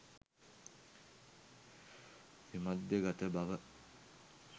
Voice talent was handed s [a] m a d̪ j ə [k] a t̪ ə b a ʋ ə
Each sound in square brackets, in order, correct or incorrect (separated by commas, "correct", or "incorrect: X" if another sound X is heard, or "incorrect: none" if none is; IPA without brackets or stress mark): incorrect: i, incorrect: ɡ